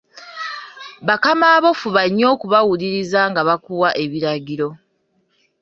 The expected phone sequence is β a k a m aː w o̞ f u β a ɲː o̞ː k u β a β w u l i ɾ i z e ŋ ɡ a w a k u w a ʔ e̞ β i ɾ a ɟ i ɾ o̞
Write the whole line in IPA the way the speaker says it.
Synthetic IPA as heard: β a k a m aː β o̞ f u β a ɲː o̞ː k u β a w u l i ɾ i z a ŋ ɡ a β a k u w a ʔ e̞ β i ɾ a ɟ i ɾ o̞